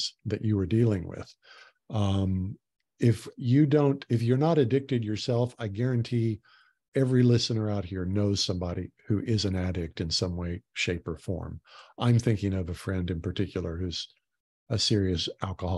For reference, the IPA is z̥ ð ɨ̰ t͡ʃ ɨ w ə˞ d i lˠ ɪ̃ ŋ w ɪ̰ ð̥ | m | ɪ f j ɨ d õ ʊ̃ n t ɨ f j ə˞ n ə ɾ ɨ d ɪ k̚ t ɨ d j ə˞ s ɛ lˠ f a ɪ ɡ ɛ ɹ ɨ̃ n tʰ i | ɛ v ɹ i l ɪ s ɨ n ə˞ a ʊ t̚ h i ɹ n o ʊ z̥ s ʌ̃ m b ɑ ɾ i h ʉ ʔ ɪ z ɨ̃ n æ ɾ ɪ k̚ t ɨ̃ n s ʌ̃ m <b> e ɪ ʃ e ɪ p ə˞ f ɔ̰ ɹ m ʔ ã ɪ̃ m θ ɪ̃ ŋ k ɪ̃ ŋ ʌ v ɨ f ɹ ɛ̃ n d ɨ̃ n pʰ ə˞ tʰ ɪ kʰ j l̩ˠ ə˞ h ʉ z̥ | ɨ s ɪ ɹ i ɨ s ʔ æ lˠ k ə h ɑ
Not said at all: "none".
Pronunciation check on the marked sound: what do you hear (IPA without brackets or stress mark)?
w